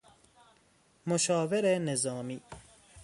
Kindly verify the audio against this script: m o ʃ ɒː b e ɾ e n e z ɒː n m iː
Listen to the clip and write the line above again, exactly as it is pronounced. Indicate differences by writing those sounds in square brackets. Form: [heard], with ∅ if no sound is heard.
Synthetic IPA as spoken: m o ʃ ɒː [v] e ɾ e n e z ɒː [∅] m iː